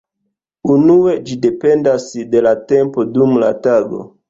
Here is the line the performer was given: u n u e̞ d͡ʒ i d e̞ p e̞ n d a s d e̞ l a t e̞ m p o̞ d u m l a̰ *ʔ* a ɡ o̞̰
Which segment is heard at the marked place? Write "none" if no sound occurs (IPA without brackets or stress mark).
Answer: t